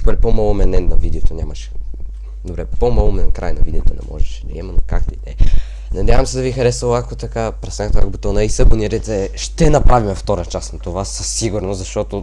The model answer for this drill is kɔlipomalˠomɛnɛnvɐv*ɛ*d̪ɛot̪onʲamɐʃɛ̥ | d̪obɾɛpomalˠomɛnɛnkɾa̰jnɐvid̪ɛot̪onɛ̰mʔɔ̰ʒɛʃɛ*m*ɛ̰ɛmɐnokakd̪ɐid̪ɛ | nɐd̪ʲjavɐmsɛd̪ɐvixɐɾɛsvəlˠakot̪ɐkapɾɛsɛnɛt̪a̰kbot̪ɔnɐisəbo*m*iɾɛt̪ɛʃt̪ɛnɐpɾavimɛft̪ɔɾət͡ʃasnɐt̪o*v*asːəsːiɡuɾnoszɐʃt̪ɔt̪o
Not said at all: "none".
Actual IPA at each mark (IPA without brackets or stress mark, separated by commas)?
i, n, n, v